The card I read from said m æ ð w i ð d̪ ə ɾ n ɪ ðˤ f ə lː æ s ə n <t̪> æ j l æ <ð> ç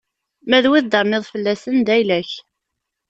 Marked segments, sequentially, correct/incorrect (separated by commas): incorrect, incorrect